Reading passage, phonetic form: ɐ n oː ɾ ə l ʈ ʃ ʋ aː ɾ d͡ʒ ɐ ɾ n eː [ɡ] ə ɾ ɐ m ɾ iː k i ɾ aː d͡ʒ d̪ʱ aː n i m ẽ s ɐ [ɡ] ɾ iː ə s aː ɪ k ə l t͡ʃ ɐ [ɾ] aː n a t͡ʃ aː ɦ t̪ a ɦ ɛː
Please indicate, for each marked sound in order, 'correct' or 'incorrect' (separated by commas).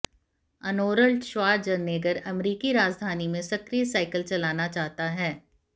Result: correct, incorrect, incorrect